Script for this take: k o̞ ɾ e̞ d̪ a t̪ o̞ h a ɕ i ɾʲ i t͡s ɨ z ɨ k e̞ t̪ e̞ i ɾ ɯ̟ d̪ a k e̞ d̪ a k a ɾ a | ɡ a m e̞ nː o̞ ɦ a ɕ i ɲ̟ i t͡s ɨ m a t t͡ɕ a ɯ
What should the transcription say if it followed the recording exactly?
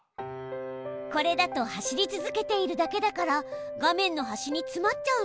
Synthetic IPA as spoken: k o̞ ɾ e̞ d̪ a t̪ o̞ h a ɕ i ɾʲ i t͡s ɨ z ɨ k e̞ t̪ e̞ i ɾ ɯ̟ d̪ a k e̞ d̪ a k a ɾ a | ɡ a m ẽ̞ nː o̞ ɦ a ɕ i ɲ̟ i t͡s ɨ m a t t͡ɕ a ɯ